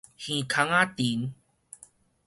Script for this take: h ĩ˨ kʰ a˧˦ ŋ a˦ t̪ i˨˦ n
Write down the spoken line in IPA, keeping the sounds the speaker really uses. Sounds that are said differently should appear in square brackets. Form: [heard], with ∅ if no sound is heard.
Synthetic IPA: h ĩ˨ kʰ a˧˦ ŋ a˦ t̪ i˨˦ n